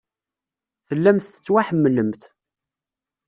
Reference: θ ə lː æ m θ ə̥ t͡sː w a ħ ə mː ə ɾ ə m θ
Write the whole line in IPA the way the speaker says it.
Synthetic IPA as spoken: θ ə lː æ m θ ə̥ t͡sː w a ħ ə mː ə l ə m θ